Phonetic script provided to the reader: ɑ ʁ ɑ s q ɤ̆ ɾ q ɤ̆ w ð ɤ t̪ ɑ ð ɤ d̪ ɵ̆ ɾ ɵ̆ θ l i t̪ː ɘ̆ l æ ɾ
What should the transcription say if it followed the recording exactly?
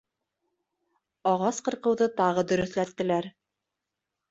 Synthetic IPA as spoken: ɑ ʁ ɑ s q ɤ̆ ɾ q ɤ̆ w ð ɤ t̪ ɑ ʁ ɤ d̪ ɵ̆ ɾ ɵ̆ θ l æ t̪ː ɘ̆ l æ ɾ